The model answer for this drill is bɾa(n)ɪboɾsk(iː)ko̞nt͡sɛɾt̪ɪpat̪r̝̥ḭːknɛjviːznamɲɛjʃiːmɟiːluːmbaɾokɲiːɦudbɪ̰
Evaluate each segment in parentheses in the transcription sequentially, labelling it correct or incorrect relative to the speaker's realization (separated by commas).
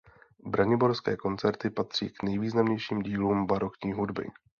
incorrect, incorrect